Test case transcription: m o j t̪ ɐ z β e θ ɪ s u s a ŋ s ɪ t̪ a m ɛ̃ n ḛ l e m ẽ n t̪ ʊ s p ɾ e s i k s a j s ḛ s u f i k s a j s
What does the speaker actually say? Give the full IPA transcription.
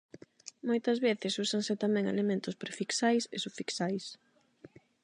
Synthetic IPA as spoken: m o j t̪ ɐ z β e θ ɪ s u s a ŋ s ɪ t̪ a m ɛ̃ ŋ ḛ l e m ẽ n t̪ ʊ s p ɾ e f i k s a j s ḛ s u f i k s a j s

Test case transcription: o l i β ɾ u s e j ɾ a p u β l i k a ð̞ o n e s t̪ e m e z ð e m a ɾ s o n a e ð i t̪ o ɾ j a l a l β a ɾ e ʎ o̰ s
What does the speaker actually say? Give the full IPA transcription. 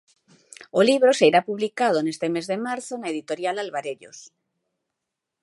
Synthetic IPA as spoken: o l i β ɾ o s e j ɾ a p u β l i k a ð̞ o n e s t̪ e m e z ð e m a ɾ θ o n a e ð i t̪ o ɾ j a l a l β a ɾ e ʎ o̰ s

